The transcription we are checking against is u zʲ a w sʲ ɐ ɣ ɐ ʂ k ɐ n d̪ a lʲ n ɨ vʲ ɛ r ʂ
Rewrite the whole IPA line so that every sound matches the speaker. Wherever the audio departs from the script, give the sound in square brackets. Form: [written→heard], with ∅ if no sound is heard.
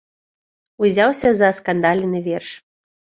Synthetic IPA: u zʲ a w sʲ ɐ [ɣ→z] ɐ [ʂ→s] k [ɐ→a] n d̪ a lʲ n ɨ vʲ ɛ r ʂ